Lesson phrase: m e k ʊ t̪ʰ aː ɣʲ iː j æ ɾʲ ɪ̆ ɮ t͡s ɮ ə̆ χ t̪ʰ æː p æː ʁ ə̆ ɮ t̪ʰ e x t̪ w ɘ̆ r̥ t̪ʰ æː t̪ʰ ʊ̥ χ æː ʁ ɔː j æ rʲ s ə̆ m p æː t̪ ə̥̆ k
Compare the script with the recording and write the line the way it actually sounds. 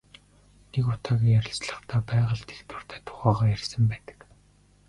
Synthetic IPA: n e k ʊ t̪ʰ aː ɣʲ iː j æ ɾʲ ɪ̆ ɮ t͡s ɮ ə̆ χ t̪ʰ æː p æː ʁ ə̆ ɮ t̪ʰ e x t̪ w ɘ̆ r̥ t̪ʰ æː t̪ʰ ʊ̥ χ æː ʁ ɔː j æ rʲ s ə̆ m p æː t̪ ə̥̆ k

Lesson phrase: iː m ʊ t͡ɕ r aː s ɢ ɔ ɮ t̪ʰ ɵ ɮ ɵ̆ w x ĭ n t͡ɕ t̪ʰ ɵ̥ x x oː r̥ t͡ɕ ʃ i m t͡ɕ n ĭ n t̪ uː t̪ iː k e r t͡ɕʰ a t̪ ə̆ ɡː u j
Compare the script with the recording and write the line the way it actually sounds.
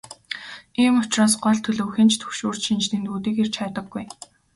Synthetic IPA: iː m ʊ t͡ɕ r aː s ɢ ɔ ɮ t̪ʰ ɵ ɮ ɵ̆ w x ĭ n t͡ɕ t̪ʰ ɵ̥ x ʃ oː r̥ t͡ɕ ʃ i n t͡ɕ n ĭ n t̪ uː t̪ iː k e r t͡ɕʰ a t̪ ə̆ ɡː u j

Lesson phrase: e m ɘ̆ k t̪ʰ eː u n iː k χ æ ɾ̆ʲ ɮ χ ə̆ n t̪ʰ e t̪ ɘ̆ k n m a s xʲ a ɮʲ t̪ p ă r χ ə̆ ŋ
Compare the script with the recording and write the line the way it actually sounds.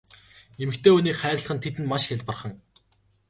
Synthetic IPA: e m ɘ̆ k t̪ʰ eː u n iː k χ æː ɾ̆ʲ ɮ χ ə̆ n t̪ʰ e t̪ ɘ̆ n m a ʃ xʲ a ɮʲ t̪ p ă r χ ə̆ ŋ

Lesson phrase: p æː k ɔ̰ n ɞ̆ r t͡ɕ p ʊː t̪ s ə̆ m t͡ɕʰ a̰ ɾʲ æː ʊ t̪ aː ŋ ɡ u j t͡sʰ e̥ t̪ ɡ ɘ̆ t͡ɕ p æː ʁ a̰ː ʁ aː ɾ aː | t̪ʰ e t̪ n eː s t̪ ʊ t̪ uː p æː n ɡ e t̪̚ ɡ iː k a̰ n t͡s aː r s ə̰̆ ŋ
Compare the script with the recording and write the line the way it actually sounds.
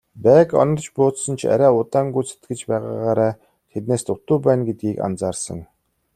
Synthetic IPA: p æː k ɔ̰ n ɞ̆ r t͡ɕ p ʊː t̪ s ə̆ n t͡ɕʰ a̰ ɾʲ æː ʊ t̪ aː ŋ ɡ u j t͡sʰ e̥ t̪ ɡ ɘ̆ t͡ɕ p æː ʁ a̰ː ʁ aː ɾ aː | t̪ʰ e t̪ n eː s t̪ ʊ t̪ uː p æː n ɡ e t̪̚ ɡ iː k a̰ n t͡s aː r s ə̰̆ ŋ

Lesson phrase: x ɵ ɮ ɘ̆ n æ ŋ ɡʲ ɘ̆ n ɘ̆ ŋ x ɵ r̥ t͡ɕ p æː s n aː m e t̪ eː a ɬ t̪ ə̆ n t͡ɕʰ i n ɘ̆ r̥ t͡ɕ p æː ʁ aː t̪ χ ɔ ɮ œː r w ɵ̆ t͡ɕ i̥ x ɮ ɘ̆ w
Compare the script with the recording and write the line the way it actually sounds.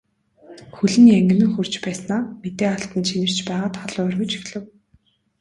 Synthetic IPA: x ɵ ɮ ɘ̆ n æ ŋ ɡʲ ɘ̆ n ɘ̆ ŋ x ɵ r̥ t͡ɕ p æː s n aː m e t̪ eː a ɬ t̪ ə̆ n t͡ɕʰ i n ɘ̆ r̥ t͡ɕ p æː ʁ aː t̪ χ ɔ ɮ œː r ɣ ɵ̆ t͡ɕ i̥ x ɮ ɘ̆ w

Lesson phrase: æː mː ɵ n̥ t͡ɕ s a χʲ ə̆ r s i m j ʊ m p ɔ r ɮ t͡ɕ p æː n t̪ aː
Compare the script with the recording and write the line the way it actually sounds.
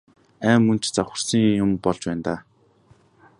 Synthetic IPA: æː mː ɵ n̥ t͡ɕ t͡s a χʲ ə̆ r s i ŋ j ʊ m p ɔ ɮ t͡ɕ p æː n t̪ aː

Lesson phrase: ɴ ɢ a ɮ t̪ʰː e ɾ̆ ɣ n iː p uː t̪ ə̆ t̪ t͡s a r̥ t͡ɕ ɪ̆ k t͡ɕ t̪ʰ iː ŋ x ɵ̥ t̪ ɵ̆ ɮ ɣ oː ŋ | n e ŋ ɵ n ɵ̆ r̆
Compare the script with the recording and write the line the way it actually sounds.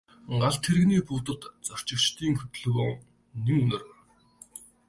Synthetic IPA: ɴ ɢ a ɮ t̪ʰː e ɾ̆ ɣ n iː p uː t̪ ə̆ t̪ t͡s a r̥ t͡ɕ ɪ̆ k t͡ɕ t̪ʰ iː ŋ x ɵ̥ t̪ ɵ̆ ɮ ɣ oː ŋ | n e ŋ ɵ n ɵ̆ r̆

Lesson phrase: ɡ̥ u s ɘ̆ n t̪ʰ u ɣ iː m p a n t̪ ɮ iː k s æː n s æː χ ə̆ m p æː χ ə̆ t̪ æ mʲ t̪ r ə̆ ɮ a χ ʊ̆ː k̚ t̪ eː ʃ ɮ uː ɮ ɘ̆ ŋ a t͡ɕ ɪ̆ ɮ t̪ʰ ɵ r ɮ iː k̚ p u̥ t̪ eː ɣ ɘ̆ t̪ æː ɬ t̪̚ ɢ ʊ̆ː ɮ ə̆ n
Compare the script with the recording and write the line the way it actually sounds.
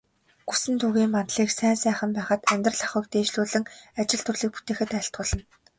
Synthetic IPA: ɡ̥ u s ɘ̆ n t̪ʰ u ɣ iː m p a n t̪ ɮ iː k s æː n s æː χ ə̆ m p æː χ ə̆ t̪ æ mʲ t̪ r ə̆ ɮ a χ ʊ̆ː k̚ t̪ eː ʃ ɮ uː ɮ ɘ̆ ŋ a t͡ɕ ɪ̆ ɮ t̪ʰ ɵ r ɮ iː k̚ p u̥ t̪ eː x ɘ̆ t̪ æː ɬ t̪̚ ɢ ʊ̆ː ɮ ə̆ n

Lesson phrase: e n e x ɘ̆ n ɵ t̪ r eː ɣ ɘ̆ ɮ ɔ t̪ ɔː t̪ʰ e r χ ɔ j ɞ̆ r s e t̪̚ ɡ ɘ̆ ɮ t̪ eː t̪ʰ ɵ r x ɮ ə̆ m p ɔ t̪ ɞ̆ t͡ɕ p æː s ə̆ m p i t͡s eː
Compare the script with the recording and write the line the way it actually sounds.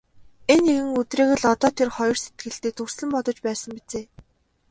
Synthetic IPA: e n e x ɘ̆ ŋ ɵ t̪ r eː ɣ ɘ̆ ɮ ɔ t̪ ɔː t̪ʰ e r χ ɔ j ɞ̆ r s e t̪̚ ɡ ɘ̆ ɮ t̪ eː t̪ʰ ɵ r s ɮ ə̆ m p ɔ t̪ ɞ̆ t͡ɕ p æː s ə̆ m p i t͡s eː

